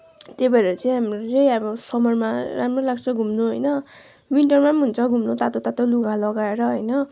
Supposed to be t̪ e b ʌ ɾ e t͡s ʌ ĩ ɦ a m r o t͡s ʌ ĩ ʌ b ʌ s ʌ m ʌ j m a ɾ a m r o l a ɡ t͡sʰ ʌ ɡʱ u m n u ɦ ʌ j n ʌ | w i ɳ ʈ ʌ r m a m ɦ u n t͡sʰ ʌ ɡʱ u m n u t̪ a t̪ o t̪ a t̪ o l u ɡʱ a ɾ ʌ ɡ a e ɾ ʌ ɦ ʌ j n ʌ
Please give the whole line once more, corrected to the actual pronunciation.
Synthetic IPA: t̪ e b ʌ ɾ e t͡s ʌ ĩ ɦ a m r o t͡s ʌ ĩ ʌ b ʌ s ʌ m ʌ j m a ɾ a m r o l a ɡ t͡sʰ ʌ ɡʱ u m n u ɦ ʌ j n ʌ | w i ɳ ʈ ʌ r m a m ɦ u n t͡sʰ ʌ ɡʱ u m n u t̪ a t̪ o t̪ a t̪ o l u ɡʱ a l ʌ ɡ a e ɾ ʌ ɦ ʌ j n ʌ